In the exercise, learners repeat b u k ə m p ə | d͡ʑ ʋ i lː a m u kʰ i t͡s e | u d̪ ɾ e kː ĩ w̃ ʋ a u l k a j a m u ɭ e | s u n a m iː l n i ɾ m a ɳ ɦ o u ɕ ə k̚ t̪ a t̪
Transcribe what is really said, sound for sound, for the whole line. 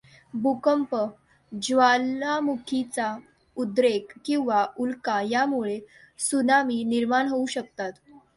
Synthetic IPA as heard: b u k ə m p ə | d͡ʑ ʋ a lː a m u kʰ i t͡s a | u d̪ ɾ e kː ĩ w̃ ʋ a u l k a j a m u ɭ e | s u n a m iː n i ɾ m a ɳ ɦ o u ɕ ə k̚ t̪ a t̪